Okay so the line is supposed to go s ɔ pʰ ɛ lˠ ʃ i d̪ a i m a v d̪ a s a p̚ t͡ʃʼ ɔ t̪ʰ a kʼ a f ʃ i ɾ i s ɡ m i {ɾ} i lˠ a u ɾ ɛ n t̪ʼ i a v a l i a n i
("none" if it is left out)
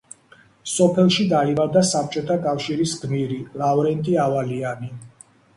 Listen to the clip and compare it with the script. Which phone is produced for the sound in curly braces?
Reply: ɾ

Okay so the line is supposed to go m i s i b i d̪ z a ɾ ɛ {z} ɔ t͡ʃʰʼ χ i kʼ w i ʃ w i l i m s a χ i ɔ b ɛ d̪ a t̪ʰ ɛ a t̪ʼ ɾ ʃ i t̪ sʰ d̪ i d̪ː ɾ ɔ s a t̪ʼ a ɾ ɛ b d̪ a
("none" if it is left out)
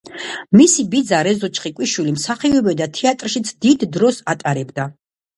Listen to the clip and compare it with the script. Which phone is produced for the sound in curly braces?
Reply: z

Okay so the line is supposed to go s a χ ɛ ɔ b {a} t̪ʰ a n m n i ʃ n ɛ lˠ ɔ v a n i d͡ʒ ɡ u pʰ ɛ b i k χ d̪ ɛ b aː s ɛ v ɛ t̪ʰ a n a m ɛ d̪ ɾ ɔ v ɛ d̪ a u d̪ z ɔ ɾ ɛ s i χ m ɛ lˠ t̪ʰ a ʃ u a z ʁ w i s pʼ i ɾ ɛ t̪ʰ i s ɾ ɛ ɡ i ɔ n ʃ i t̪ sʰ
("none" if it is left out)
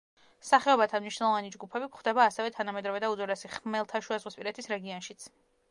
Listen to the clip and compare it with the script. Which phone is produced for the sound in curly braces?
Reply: a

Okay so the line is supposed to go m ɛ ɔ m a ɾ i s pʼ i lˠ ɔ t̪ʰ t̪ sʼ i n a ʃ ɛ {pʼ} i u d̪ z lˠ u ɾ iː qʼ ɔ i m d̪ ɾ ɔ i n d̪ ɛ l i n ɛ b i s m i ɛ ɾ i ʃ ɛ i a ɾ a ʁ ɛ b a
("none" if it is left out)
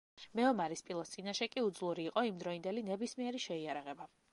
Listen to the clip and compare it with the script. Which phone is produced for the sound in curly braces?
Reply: kʼ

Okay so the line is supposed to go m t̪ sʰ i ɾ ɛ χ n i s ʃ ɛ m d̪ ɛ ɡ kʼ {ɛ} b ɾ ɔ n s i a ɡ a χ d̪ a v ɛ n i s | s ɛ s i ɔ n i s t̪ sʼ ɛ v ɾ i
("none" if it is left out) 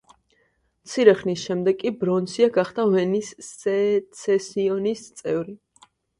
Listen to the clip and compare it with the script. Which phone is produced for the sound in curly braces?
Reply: i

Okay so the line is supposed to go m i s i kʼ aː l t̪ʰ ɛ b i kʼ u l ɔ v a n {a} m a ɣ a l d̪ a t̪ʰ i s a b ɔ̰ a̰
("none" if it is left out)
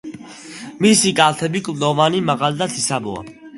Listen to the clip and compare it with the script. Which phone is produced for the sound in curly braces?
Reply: i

